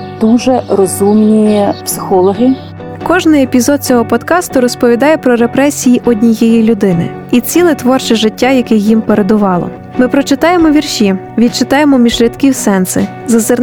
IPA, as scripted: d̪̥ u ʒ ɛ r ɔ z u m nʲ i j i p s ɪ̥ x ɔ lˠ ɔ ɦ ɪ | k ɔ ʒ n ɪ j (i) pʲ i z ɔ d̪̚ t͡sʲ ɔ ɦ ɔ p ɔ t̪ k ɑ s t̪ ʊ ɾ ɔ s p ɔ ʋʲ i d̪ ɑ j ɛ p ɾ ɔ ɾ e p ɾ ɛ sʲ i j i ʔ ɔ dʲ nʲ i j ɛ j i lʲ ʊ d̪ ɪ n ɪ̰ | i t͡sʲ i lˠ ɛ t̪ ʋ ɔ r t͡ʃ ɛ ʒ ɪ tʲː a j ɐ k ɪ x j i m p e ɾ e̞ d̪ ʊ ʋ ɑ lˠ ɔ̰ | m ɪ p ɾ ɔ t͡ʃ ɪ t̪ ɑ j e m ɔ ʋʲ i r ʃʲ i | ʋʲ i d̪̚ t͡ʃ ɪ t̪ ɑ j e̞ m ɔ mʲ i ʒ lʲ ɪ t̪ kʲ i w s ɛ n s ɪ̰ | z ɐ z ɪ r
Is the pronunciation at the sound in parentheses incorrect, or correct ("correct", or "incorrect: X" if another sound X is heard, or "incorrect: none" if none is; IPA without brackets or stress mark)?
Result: incorrect: e